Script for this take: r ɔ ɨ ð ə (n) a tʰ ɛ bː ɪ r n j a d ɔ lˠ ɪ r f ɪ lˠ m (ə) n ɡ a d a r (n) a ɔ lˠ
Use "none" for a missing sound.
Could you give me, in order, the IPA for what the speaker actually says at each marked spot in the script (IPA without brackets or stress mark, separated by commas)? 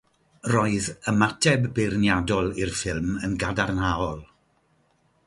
m, ə, n